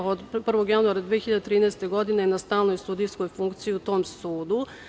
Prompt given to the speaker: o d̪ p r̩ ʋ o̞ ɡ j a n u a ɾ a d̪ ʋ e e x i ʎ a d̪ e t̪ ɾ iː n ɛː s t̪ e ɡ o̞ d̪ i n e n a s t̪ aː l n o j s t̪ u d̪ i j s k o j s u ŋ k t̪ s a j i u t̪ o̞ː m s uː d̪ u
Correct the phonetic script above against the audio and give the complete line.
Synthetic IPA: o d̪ p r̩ ʋ o̞ ɡ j a n u a ɾ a d̪ ʋ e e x i ʎ a d̪ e t̪ ɾ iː n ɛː s t̪ e ɡ o̞ d̪ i n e n a s t̪ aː l n o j s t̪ u d̪ i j s k o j f u ŋ k t̪ s i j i u t̪ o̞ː m s uː d̪ u

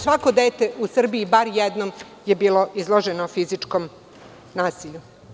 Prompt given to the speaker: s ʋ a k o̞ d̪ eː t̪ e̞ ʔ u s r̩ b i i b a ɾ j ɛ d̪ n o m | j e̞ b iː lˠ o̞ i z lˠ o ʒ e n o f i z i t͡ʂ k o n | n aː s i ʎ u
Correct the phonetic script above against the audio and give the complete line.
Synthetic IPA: s ʋ a k o̞ d̪ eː t̪ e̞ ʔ u s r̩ b i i b a ɾ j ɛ d̪ n o m | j e̞ b iː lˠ o̞ i z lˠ o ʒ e n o f i z i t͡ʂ k o m | n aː s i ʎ u

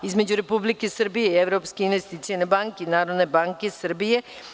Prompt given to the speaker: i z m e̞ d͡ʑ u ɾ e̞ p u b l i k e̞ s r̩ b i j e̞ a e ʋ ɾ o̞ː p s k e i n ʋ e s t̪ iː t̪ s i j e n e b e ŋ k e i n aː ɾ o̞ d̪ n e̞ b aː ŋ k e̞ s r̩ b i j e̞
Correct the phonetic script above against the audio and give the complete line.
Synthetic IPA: i z m e̞ d͡ʑ u ɾ e̞ p u b l i k e̞ s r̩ b i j e̞ i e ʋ ɾ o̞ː p s k e i n ʋ e s t̪ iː t̪ s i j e n e b a ŋ k e i n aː ɾ o̞ d̪ n e̞ b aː ŋ k e̞ s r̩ b i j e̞

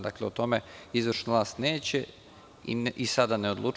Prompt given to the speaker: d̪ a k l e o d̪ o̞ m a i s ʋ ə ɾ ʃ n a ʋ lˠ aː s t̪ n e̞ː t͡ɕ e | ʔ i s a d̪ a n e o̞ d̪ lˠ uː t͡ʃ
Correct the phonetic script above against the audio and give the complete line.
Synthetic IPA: d̪ a k l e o t̪ o̞ m e i z ʋ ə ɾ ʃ n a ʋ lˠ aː s t̪ n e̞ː t͡ɕ e | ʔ i s a d̪ a n e o̞ d̪ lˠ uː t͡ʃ

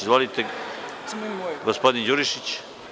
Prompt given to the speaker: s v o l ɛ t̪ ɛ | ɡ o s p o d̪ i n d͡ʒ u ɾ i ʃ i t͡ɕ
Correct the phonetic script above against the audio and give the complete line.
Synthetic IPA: z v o l i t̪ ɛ | ɡ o s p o d̪ i n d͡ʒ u ɾ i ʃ i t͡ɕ

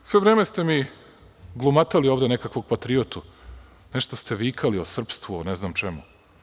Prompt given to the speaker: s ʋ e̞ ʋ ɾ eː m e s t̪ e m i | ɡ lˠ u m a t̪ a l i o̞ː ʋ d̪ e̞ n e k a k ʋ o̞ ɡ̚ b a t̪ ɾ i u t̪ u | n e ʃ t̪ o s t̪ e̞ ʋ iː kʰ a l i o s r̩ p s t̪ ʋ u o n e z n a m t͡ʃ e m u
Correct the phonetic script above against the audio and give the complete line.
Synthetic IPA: s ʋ e̞ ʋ ɾ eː m e s t̪ e m i | ɡ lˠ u m a t̪ a l i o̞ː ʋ d̪ e̞ n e k a k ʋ o̞ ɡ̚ p a t̪ ɾ i o t̪ u | n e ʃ t̪ o s t̪ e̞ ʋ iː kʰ a l i o s r̩ p s t̪ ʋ u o n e z n a m t͡ʃ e m u

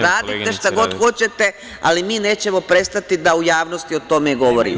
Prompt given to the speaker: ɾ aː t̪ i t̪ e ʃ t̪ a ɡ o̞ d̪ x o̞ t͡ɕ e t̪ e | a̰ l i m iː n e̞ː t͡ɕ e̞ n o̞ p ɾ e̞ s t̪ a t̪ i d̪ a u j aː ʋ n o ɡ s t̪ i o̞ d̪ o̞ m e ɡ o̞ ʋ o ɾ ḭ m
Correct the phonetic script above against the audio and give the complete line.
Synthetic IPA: ɾ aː d̪ i t̪ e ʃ t̪ a ɡ o̞ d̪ x o̞ t͡ɕ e t̪ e | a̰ l i m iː n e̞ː t͡ɕ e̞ m o̞ p ɾ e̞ s t̪ a t̪ i d̪ a u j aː ʋ n o s t̪ i o̞ t̪ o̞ m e ɡ o̞ ʋ o ɾ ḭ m

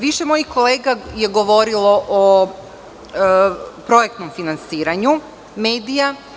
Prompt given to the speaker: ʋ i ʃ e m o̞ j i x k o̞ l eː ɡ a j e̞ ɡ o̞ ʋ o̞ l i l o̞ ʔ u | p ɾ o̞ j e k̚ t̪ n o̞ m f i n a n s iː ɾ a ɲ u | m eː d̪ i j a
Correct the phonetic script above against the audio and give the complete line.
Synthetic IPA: ʋ i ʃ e m o̞ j i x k o̞ l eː ɡ a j e̞ ɡ o̞ ʋ o̞ ɾ i l o̞ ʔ o | p ɾ o̞ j e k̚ t̪ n o̞ m f i n a n s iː ɾ a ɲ u | m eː d̪ i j a

